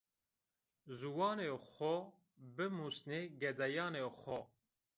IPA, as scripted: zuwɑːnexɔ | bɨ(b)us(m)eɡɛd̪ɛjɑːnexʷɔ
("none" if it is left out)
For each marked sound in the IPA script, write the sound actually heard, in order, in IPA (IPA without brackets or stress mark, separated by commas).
m, n